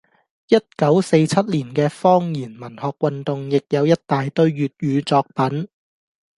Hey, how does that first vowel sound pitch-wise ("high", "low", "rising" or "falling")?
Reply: high